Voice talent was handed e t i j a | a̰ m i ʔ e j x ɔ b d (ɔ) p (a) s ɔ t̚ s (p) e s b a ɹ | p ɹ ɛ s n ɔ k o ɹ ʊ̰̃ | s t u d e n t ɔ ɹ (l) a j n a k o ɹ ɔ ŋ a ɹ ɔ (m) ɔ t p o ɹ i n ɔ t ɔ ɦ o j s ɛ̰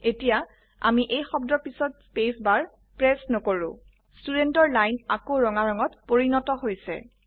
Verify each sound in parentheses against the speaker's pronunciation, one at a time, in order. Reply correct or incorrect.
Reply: correct, incorrect, correct, correct, incorrect

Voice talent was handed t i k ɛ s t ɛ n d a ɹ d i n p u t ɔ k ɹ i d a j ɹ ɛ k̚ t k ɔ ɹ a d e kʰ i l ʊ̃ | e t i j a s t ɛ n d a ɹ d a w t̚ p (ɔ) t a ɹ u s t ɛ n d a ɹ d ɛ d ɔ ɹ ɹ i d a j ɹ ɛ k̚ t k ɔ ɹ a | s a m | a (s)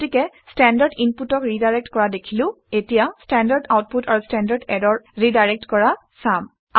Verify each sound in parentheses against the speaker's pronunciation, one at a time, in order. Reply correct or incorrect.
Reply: incorrect, incorrect

